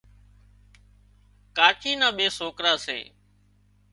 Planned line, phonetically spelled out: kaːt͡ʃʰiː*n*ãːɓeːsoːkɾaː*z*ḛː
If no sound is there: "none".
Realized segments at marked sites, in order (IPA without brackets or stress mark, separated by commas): n, s